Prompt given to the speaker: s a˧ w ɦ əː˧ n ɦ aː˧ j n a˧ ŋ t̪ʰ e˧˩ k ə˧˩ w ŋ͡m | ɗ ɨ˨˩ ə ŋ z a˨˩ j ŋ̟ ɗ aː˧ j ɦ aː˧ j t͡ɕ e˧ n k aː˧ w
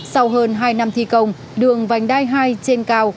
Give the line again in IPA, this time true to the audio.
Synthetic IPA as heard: s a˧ w ɦ əː˧ n ɦ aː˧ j n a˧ m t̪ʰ i˧˩ k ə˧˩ w ŋ͡m | ɗ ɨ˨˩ ə ŋ v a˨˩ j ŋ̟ ɗ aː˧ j ɦ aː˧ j t͡ɕ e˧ n k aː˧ w

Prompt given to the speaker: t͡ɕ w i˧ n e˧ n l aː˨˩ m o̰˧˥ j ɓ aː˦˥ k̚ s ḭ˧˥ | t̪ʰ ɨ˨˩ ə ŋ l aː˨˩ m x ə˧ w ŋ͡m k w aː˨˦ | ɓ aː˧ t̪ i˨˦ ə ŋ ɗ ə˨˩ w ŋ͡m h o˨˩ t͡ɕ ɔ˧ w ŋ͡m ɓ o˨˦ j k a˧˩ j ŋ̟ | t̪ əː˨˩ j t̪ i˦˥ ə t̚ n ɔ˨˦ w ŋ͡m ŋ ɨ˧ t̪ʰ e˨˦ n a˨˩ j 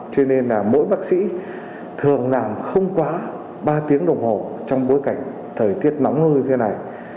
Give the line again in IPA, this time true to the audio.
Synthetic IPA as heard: t͡ɕ w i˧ n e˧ n l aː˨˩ m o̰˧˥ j ɓ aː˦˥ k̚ s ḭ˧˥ | t̪ʰ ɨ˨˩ ə ŋ l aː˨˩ m x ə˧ w ŋ͡m k w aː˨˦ | ɓ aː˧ t̪ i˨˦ ə ŋ ɗ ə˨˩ w ŋ͡m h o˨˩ t͡ɕ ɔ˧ w ŋ͡m ɓ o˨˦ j k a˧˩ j ŋ̟ | t̪ʰ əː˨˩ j t̪ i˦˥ ə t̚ n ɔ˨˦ w ŋ͡m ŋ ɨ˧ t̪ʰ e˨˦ n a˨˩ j

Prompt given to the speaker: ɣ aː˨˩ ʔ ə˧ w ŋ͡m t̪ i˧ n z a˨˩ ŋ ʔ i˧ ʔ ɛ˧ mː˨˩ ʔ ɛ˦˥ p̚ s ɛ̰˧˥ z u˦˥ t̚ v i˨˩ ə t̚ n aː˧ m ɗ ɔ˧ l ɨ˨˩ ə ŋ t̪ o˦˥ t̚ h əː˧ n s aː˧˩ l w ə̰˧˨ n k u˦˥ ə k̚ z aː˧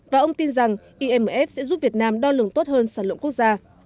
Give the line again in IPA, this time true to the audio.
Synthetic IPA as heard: v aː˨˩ ʔ ə˧ w ŋ͡m t̪ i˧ n z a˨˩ ŋ ʔ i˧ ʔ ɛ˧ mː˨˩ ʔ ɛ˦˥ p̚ s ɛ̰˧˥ z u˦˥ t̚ v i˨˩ ə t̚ n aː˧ m ɗ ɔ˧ l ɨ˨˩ ə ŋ t̪ o˦˥ t̚ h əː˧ n s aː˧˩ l w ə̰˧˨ n k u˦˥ ə k̚ z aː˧

